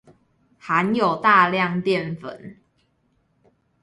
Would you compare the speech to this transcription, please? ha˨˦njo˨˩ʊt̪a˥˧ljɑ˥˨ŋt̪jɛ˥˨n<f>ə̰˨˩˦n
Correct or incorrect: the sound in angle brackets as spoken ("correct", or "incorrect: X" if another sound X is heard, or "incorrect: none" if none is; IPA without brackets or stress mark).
correct